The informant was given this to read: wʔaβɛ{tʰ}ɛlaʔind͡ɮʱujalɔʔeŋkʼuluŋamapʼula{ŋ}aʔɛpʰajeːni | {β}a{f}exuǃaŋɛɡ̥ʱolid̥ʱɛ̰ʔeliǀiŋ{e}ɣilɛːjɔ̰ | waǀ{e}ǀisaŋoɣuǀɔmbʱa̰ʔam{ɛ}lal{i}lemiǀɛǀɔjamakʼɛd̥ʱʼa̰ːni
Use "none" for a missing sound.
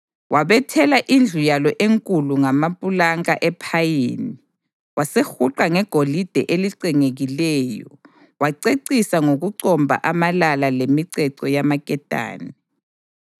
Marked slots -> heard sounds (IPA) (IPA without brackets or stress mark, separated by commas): tʰ, ŋ, w, s, e, e, a, a